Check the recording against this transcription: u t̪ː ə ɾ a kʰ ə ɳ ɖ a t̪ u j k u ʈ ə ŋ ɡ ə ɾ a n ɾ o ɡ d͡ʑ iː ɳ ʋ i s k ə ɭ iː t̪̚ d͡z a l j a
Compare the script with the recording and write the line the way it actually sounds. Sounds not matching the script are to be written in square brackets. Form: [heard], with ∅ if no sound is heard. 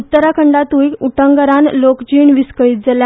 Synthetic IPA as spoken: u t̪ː ə ɾ a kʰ ə ɳ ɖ a t̪ u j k u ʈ ə ŋ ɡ ə ɾ a n [l] o [k] d͡ʑ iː ɳ ʋ i s k ə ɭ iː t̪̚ d͡z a l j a